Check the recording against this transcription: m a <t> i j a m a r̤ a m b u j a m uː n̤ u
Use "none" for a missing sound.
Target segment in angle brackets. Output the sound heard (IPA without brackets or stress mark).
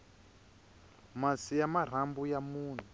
s